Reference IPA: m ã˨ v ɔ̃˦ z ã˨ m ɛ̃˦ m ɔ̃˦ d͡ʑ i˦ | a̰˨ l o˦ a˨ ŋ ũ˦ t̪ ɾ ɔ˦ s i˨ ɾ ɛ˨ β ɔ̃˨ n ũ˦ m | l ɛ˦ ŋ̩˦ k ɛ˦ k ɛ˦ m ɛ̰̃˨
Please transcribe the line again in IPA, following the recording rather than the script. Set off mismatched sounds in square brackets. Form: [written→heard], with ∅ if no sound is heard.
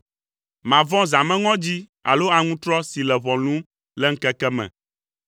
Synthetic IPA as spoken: m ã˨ v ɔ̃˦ z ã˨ m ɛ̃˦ [m→ŋ] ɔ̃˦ d͡ʑ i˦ | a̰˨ l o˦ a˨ ŋ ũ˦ t̪ ɾ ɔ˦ s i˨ [ɾ→l] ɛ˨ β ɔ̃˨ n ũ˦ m | l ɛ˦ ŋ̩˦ k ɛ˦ k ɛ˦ m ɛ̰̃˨